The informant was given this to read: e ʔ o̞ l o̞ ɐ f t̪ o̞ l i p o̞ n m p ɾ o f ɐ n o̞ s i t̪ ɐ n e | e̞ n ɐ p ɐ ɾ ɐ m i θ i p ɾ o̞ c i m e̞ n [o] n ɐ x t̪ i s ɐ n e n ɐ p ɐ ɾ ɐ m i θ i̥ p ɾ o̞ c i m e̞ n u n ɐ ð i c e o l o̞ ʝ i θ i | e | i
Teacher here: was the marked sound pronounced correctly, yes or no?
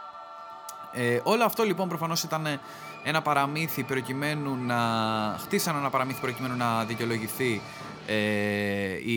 no